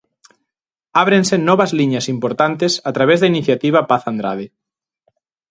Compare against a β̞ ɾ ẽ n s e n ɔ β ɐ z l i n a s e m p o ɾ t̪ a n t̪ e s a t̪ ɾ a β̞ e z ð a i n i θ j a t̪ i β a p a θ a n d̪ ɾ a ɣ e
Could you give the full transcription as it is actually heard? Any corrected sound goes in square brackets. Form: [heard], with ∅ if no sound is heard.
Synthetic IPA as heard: a β̞ ɾ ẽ n s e n ɔ β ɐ z l i [ɲ] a s [i] m p o ɾ t̪ a n t̪ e s a t̪ ɾ a β̞ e z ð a i n i θ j a t̪ i β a p a θ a n d̪ ɾ a [ð] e